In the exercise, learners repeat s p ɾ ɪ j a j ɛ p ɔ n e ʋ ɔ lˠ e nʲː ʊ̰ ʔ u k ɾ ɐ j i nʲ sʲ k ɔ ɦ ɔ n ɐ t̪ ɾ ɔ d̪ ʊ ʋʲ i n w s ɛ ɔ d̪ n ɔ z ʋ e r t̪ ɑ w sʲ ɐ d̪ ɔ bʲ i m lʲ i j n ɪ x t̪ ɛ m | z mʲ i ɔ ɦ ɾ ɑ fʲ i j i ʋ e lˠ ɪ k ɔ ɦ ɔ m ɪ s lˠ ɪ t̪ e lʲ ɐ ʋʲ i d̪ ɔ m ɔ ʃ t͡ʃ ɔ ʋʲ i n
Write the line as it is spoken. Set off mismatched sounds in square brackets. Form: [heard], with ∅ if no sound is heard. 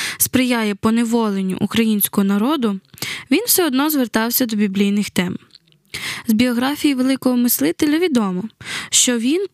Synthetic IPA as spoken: s p ɾ ɪ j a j ɛ p ɔ n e ʋ ɔ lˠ e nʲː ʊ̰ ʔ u k ɾ ɐ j i nʲ sʲ k ɔ ɦ ɔ n ɐ [∅] ɾ ɔ d̪ ʊ ʋʲ i n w s ɛ ɔ d̪ n ɔ z ʋ e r t̪ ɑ w sʲ ɐ d̪ ɔ bʲ i [b] lʲ i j n ɪ x t̪ ɛ m | z [bʲ] i ɔ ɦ ɾ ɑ fʲ i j i ʋ e lˠ ɪ k ɔ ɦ ɔ m ɪ s lˠ ɪ t̪ e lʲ ɐ ʋʲ i d̪ ɔ m ɔ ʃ t͡ʃ ɔ ʋʲ i n